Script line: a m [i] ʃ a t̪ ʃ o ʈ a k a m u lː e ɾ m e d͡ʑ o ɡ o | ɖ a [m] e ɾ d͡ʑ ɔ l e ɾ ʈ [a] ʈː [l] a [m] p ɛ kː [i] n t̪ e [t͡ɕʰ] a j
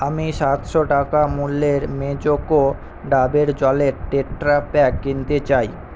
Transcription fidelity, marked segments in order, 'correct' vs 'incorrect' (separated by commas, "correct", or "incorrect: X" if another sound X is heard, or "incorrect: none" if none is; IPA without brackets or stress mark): correct, incorrect: b, incorrect: e, incorrect: ɾ, incorrect: none, correct, incorrect: t͡ɕ